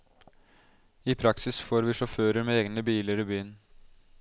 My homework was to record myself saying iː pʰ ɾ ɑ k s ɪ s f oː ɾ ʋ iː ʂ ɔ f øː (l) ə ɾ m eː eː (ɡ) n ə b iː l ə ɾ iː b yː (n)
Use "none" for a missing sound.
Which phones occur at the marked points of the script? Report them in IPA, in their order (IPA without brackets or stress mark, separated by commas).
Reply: ɾ, ɡ, n